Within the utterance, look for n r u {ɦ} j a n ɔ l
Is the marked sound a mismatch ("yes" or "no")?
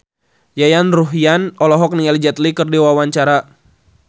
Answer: no